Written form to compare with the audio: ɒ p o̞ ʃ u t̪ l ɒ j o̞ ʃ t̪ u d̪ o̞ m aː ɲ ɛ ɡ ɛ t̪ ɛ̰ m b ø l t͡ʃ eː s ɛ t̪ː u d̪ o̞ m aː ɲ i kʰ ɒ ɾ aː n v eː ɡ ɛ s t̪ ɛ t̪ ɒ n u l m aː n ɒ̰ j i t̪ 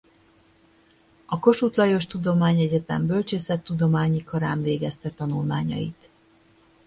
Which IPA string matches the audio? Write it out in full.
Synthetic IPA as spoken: ɒ k o̞ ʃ u t̪ l ɒ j o̞ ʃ t̪ u d̪ o̞ m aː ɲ ɛ ɟ ɛ t̪ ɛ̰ m b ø l t͡ʃ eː s ɛ t̪ː u d̪ o̞ m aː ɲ i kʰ ɒ ɾ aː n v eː ɡ ɛ s t̪ ɛ t̪ ɒ n u l m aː ɲ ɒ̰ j i t̪